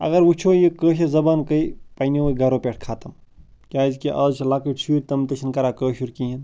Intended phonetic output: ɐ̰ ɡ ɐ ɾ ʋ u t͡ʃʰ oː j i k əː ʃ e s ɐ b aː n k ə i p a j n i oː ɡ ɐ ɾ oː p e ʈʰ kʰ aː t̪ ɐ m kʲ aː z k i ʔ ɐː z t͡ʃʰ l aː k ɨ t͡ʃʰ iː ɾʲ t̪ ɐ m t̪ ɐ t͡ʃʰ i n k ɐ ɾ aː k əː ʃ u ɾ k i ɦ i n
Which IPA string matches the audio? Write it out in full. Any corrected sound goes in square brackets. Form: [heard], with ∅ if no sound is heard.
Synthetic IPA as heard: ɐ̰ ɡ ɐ ɾ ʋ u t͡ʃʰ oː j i k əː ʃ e [z] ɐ b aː n k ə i p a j n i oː ɡ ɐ ɾ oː p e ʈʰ kʰ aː t̪ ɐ m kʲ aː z k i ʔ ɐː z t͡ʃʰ l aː k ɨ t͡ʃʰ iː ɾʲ t̪ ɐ m t̪ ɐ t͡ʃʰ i n k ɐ ɾ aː k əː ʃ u ɾ k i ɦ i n